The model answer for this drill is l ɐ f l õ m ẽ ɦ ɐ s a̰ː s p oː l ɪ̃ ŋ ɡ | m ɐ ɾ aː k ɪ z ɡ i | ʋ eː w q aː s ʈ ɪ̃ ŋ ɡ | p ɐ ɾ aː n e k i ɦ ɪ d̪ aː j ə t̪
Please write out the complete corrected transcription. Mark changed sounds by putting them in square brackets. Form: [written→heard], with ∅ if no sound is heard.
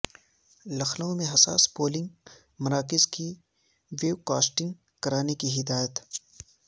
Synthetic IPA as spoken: l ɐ [f→x] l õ m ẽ ɦ ɐ s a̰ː s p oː l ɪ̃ ŋ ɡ | m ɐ ɾ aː k ɪ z [ɡ→k] i | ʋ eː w [q→k] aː s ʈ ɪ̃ ŋ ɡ | [p→k] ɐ ɾ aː n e k i ɦ ɪ d̪ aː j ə t̪